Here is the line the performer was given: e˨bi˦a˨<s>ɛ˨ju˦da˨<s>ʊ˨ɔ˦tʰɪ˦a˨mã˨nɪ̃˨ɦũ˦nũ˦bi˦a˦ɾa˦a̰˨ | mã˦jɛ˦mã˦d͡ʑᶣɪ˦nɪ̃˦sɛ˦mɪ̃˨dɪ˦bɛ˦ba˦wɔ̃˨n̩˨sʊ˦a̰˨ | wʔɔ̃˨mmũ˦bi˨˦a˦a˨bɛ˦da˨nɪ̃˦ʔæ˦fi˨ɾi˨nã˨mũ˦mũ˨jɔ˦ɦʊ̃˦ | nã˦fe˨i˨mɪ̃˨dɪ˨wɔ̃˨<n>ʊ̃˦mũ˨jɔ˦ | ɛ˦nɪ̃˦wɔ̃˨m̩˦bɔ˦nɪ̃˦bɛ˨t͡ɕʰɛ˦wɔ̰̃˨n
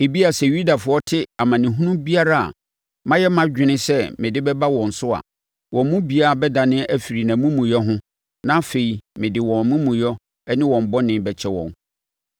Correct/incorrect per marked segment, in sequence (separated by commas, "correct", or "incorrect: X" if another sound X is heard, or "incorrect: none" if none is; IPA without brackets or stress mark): correct, incorrect: f, incorrect: m